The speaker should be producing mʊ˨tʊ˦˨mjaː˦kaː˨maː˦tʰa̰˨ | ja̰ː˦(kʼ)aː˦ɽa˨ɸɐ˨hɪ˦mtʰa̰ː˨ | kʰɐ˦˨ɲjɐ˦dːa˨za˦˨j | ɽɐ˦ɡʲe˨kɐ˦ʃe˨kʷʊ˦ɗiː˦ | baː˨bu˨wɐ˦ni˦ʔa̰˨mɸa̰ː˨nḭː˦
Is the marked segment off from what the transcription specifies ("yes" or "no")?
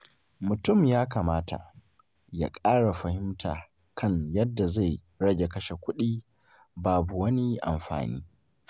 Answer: no